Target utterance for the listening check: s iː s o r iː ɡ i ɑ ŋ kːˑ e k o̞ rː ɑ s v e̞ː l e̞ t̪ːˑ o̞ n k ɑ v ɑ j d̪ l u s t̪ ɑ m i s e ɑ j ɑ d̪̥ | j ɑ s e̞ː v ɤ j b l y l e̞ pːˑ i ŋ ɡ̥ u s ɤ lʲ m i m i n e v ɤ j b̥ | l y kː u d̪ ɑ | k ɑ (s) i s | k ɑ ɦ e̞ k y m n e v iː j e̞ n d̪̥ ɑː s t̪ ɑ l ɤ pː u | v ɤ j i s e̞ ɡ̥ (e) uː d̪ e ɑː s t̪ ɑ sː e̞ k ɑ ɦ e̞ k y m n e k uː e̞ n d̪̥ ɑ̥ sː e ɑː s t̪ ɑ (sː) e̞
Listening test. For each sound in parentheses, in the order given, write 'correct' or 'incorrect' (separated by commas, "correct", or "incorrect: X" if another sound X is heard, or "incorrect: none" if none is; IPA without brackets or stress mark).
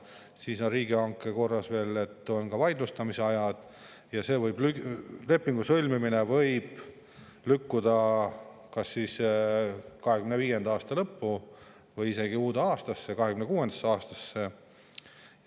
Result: incorrect: sː, incorrect: i, correct